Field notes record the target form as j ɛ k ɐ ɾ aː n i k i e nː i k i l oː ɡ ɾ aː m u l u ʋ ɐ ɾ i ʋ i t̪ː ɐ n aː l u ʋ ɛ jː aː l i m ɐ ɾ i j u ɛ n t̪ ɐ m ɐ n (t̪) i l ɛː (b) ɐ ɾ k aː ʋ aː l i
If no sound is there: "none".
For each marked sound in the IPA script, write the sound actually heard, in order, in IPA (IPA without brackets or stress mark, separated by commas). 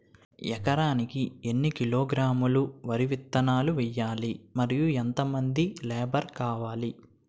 d̪, b